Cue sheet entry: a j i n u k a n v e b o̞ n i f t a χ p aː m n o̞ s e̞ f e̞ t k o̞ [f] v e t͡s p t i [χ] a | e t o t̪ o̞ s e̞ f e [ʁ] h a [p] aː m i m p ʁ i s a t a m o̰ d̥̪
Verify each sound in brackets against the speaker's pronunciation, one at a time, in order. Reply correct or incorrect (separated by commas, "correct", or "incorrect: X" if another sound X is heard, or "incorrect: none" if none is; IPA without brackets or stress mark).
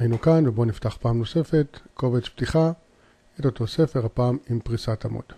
incorrect: none, correct, correct, correct